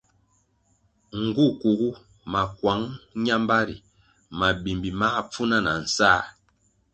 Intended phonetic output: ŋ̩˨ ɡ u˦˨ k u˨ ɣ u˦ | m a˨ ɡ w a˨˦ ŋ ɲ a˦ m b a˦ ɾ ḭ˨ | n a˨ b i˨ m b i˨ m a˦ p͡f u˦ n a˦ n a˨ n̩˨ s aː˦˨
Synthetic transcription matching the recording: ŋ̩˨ ɡ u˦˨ k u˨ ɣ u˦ | m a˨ k w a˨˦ ŋ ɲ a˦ m b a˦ ɾ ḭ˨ | m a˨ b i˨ m b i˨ m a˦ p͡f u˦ n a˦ n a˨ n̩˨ s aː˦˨